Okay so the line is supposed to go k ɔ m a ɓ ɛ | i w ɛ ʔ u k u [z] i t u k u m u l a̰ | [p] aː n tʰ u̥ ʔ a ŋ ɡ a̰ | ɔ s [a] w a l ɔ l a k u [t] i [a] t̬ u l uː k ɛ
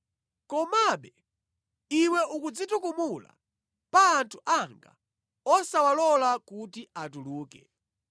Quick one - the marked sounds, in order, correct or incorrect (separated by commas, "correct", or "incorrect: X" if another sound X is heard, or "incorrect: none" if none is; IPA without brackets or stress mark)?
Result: incorrect: d͡z, correct, correct, correct, correct